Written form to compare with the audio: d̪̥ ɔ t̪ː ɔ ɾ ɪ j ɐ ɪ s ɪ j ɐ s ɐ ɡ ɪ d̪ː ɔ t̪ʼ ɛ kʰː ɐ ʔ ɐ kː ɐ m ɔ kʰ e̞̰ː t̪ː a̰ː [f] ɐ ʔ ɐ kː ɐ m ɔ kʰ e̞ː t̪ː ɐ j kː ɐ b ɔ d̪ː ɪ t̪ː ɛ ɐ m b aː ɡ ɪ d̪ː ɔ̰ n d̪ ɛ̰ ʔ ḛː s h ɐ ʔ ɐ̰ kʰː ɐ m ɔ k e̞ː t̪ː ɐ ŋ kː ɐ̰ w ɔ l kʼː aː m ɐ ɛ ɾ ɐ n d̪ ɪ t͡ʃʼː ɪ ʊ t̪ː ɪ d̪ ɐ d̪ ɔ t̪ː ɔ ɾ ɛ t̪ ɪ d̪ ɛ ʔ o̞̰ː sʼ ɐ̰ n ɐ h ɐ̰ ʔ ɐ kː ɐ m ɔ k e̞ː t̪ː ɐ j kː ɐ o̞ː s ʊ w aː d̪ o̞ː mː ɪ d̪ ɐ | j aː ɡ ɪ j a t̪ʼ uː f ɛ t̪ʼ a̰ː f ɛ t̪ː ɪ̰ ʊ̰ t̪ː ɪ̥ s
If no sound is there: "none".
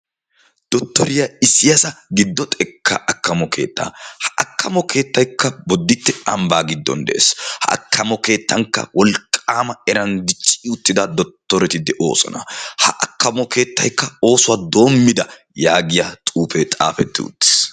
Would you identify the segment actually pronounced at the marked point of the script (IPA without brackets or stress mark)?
h